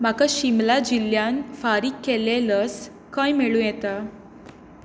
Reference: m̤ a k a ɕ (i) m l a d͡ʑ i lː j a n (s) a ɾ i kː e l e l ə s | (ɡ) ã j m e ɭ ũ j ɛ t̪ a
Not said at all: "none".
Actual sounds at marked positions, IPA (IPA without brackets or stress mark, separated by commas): i, f, k